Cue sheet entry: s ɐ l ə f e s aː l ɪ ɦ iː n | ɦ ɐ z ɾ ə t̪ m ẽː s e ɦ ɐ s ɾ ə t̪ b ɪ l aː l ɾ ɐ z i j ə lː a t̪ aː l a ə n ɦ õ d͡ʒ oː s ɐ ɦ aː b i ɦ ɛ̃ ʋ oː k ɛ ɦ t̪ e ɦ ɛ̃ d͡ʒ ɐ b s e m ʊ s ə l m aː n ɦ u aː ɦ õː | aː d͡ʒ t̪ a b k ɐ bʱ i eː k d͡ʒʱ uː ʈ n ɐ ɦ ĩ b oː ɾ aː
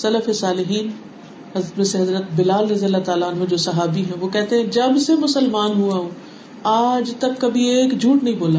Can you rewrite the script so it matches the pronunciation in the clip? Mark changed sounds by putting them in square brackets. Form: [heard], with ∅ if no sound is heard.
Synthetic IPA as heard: s ɐ l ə f e s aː l ɪ ɦ iː n | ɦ ɐ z ɾ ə t̪ m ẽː s e ɦ ɐ [z] ɾ ə t̪ b ɪ l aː l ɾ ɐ z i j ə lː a t̪ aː l a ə n ɦ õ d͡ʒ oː s ɐ ɦ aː b i ɦ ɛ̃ ʋ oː k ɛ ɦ t̪ e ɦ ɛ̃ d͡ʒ ɐ b s e m ʊ s ə l m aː n ɦ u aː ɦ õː | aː d͡ʒ t̪ [ɐ] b k ɐ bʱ i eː k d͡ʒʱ uː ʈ n ɐ ɦ ĩ b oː [l] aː